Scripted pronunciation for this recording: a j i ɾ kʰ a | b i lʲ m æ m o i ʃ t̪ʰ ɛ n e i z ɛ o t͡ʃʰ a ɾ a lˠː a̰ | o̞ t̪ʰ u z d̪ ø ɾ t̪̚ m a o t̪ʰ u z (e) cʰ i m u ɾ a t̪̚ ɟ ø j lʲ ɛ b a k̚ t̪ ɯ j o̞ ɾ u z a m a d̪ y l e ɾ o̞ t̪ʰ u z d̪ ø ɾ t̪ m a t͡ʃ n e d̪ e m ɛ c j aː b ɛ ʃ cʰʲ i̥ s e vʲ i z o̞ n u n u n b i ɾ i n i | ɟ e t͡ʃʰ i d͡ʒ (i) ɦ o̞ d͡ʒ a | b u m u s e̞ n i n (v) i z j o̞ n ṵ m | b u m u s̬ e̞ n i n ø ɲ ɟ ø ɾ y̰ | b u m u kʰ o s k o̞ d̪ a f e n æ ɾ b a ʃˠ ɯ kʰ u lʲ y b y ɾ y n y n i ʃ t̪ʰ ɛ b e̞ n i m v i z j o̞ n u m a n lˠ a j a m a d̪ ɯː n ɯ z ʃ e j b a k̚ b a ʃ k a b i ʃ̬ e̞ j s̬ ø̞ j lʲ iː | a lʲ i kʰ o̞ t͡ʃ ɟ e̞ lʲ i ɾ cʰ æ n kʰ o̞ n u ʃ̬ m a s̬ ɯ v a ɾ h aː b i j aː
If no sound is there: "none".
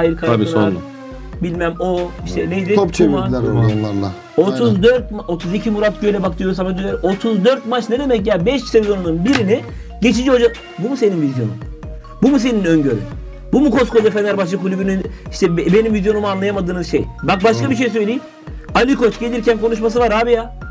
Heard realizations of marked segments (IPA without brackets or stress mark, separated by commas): i, i, v